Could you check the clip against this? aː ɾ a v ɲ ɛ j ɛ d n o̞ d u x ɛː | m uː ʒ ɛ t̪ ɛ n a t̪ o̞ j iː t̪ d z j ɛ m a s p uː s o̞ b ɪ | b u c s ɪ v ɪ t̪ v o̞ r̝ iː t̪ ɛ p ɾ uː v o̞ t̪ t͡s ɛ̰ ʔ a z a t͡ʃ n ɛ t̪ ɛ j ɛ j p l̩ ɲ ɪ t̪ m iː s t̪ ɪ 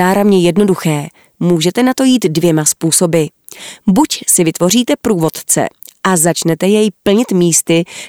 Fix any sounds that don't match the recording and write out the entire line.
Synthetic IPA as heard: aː ɾ a v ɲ ɛ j ɛ d n o̞ d u x ɛː | m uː ʒ ɛ t̪ ɛ n a t̪ o̞ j iː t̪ d v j ɛ m a s p uː s o̞ b ɪ | b u c s ɪ v ɪ t̪ v o̞ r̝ iː t̪ ɛ p ɾ uː v o̞ t̪ t͡s ɛ̰ ʔ a z a t͡ʃ n ɛ t̪ ɛ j ɛ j p l̩ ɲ ɪ t̪ m iː s t̪ ɪ